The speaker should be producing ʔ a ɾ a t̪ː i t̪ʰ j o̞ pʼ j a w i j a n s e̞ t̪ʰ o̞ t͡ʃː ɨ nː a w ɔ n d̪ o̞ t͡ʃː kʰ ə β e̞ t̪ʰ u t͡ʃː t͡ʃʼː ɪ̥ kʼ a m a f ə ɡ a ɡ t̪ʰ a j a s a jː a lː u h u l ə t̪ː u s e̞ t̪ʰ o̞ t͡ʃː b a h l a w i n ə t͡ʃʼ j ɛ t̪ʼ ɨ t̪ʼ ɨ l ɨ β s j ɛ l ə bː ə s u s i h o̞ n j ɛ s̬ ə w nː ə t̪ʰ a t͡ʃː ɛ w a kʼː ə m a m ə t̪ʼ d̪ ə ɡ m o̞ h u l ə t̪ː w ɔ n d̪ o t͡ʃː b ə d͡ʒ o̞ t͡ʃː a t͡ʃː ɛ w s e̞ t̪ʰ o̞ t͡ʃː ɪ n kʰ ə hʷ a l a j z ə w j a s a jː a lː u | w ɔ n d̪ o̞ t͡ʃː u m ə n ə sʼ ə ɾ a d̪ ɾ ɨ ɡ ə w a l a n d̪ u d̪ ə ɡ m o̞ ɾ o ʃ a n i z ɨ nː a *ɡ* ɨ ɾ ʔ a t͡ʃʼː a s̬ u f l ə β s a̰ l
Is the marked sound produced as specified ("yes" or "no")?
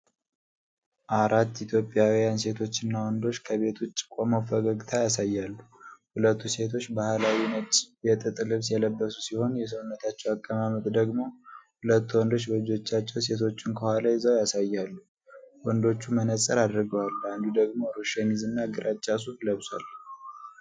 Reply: yes